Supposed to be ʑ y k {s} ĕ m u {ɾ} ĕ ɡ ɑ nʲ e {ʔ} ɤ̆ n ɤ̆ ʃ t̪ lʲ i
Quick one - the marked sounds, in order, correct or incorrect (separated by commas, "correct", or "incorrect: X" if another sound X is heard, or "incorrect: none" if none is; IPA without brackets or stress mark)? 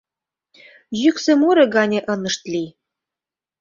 correct, correct, correct